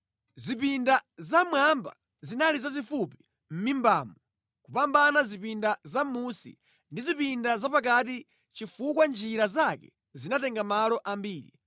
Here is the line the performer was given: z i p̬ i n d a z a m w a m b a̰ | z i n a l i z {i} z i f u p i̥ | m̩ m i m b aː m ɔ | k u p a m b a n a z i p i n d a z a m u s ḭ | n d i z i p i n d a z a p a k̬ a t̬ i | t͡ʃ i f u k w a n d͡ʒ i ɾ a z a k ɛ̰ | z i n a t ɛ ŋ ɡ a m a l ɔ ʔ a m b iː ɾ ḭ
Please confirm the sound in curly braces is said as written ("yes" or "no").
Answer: no